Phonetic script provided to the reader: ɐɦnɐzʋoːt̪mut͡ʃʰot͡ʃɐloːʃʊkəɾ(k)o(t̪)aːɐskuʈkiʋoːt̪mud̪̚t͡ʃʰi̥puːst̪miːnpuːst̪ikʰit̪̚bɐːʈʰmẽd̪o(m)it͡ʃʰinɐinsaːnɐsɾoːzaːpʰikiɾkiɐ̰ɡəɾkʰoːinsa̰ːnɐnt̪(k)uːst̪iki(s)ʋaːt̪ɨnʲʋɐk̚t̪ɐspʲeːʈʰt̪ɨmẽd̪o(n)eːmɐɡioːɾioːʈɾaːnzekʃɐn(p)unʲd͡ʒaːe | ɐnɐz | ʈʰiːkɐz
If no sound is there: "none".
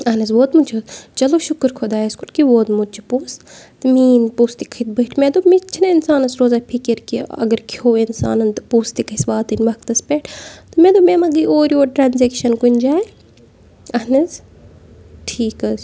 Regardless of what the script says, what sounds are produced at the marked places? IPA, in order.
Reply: kʰ, d̪, m, p, s, m, k

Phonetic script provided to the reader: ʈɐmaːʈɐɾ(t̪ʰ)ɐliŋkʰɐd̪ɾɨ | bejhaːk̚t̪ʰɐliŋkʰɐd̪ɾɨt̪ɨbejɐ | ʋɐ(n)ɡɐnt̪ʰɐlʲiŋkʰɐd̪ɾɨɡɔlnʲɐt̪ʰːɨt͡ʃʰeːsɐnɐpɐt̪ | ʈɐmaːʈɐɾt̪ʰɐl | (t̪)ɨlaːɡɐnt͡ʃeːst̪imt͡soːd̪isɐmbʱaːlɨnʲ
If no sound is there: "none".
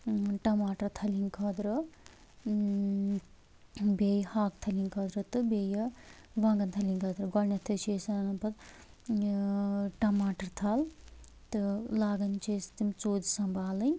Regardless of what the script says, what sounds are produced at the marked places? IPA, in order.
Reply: t̪ʰ, ŋ, t̪

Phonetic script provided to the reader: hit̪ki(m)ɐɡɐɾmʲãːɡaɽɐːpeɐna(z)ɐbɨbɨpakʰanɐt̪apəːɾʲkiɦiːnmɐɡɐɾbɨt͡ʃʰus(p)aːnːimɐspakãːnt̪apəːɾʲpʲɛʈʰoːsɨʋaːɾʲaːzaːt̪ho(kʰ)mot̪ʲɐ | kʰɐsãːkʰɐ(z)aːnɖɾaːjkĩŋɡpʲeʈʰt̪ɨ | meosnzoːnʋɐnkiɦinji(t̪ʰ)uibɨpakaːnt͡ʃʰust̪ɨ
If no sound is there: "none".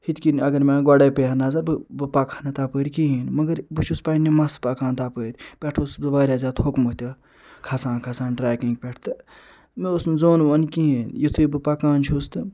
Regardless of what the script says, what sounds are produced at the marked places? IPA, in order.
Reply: n, z, p, k, s, t̪ʰ

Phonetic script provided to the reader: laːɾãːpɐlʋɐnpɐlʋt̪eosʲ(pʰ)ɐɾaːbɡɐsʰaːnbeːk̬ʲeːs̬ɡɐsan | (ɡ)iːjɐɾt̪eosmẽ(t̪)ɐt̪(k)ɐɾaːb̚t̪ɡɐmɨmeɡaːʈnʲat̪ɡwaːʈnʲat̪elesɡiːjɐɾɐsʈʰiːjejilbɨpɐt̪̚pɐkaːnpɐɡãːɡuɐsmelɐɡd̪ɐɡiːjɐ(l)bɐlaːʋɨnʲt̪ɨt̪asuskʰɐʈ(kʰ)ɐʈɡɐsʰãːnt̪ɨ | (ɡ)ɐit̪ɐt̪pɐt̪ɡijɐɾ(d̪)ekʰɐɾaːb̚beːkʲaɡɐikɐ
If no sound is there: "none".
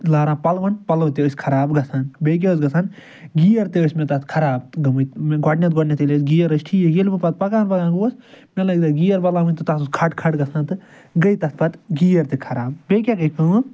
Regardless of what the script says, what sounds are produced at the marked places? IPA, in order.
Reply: kʰ, ɡ, t̪, kʰ, ɾ, kʰ, ɡ, t̪

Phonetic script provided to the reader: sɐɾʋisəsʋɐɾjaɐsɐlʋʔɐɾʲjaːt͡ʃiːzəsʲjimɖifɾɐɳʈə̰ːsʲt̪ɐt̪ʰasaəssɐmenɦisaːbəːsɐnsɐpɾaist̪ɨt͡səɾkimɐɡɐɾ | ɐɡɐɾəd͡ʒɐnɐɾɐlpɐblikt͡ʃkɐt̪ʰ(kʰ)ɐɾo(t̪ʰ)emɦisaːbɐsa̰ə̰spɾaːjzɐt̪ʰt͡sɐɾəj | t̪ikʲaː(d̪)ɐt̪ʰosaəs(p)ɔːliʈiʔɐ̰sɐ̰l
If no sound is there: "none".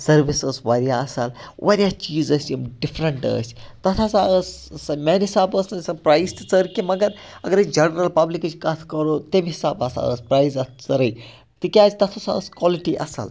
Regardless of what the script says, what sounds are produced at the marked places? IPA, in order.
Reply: k, t̪, t̪, k

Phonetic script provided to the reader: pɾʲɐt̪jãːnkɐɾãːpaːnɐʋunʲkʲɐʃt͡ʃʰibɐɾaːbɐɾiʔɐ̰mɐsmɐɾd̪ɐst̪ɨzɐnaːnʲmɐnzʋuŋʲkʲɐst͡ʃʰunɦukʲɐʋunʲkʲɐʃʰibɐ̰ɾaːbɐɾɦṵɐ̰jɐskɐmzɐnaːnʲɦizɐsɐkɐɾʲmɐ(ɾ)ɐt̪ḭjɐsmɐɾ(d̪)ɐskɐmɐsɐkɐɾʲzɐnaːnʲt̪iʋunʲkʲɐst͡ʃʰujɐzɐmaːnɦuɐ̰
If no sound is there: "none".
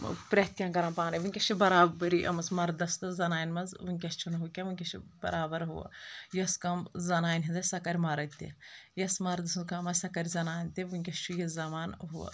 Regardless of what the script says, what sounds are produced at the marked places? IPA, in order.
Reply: ɾ, d̪

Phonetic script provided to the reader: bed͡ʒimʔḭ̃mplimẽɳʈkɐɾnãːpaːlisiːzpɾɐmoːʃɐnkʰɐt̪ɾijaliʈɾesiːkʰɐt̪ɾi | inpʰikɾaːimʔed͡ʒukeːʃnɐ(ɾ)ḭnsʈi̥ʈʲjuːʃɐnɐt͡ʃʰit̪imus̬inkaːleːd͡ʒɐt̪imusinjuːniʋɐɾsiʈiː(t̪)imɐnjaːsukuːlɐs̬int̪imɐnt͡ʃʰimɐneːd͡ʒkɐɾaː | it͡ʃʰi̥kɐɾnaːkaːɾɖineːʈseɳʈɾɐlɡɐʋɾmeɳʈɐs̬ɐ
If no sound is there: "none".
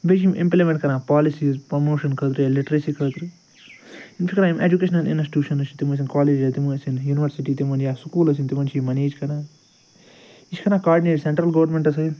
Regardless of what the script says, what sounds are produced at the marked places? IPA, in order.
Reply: l, t̪

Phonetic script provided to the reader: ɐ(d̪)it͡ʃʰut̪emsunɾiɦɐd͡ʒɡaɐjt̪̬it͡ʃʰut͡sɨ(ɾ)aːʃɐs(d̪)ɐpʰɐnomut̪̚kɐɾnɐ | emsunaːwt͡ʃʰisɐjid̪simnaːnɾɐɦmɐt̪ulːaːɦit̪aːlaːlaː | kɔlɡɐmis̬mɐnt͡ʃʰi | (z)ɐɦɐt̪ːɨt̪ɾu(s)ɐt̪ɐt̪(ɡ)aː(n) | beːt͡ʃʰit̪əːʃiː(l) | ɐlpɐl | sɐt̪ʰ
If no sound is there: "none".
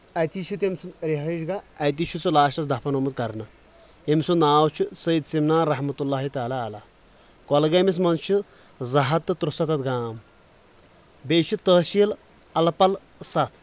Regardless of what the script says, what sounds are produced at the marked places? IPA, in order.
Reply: t̪, l, d̪, z, s, ɡ, m, l

